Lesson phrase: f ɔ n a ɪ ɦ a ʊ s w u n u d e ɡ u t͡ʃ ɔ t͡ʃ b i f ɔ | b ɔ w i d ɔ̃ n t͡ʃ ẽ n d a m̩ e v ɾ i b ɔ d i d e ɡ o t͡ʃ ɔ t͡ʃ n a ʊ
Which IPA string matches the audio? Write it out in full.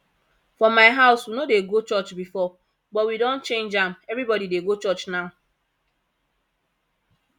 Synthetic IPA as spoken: f ɔ m a ɪ ɦ a ʊ s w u n o d e ɡ o t͡ʃ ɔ t͡ʃ b i f ɔ | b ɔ w i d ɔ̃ n t͡ʃ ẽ n d͡ʒ a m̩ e v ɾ i b ɔ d i d e ɡ o t͡ʃ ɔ t͡ʃ n a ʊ